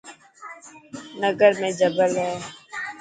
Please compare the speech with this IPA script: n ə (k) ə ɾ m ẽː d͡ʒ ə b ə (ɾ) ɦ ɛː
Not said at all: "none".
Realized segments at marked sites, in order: ɡ, l

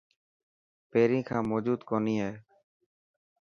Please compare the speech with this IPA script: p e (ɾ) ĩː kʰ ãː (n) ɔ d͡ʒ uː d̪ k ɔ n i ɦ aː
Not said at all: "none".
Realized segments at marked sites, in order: ɾ, m

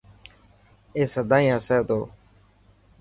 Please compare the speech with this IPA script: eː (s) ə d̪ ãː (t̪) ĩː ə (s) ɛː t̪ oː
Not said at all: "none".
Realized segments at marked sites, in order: s, none, s

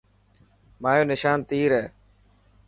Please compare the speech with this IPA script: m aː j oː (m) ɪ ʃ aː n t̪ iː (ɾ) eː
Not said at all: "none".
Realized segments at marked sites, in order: n, ɾ

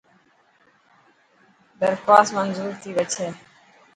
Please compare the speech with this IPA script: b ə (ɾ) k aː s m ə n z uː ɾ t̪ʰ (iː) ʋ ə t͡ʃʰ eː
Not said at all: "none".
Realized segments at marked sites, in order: ɾ, iː

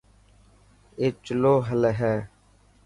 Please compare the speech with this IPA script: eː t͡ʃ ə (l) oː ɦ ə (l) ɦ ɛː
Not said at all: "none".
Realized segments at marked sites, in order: l, l

